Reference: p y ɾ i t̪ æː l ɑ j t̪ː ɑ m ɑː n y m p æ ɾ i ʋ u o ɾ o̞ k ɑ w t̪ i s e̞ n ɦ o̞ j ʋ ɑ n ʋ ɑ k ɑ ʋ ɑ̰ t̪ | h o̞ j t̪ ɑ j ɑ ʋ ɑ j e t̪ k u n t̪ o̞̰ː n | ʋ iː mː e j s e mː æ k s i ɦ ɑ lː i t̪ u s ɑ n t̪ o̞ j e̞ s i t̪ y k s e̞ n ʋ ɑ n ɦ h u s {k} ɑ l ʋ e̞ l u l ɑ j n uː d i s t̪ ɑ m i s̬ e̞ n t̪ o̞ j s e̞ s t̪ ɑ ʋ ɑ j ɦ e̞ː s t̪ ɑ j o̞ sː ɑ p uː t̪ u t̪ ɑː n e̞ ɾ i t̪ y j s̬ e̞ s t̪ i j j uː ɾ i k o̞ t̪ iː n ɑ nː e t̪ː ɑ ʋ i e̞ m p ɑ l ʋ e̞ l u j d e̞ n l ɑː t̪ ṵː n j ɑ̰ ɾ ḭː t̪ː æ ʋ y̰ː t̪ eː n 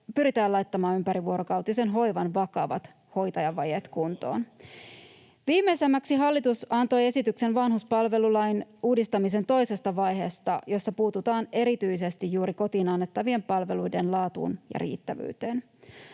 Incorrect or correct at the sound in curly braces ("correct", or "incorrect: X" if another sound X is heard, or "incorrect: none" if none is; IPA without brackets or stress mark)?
incorrect: p